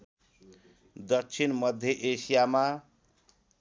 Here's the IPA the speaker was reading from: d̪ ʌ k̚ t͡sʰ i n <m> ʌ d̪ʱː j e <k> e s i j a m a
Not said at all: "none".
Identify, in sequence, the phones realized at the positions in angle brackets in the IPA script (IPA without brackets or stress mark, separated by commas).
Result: m, ʔ